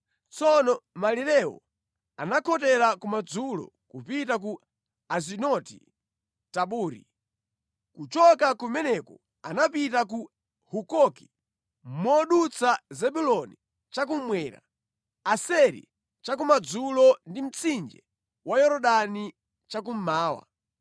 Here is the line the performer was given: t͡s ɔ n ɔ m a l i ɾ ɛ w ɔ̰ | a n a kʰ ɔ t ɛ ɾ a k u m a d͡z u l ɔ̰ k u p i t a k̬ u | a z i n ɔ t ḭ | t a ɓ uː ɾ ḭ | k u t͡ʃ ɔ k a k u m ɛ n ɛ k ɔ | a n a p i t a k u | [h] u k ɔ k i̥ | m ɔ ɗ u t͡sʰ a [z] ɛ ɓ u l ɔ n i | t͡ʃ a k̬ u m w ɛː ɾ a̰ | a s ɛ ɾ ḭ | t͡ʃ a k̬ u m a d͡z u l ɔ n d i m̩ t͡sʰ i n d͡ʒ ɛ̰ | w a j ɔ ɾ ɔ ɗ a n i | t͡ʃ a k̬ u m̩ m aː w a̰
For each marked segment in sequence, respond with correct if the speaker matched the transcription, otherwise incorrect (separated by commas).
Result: correct, correct